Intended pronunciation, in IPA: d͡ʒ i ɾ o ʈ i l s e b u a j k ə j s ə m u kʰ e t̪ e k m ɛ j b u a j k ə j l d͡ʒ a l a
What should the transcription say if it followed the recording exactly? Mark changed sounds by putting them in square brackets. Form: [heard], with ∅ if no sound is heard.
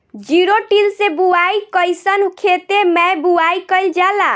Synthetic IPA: d͡ʒ i ɾ o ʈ i l s e b u a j k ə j s ə [n] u kʰ e t̪ e [∅] m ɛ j b u a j k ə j l d͡ʒ a l a